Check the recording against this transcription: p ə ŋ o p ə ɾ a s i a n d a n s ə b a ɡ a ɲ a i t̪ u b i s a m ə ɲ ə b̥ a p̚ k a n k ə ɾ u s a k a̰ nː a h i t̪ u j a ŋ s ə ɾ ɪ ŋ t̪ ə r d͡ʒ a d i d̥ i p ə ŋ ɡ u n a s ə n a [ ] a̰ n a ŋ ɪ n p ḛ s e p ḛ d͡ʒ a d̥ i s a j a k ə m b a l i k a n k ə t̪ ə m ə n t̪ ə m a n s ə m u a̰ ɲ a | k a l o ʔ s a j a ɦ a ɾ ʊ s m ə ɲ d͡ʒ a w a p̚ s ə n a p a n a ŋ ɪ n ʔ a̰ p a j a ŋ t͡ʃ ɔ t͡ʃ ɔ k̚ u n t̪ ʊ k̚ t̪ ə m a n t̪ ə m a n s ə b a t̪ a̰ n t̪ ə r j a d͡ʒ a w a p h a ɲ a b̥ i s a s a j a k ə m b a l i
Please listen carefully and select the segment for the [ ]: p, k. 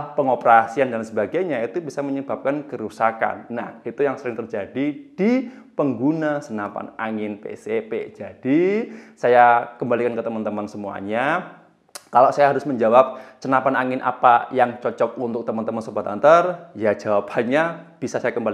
p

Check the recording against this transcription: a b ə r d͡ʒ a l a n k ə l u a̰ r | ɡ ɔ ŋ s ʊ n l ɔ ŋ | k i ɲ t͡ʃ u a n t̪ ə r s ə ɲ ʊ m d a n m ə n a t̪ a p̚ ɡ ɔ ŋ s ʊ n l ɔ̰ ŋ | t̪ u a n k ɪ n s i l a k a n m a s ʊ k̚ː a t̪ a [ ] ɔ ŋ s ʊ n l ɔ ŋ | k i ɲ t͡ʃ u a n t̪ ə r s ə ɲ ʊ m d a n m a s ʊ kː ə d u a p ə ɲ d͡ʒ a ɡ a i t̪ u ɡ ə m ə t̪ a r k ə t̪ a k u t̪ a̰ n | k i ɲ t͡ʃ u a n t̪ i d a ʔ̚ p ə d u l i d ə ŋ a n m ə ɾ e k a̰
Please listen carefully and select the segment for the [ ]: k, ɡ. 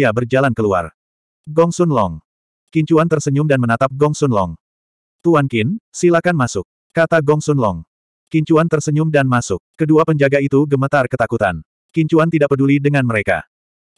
ɡ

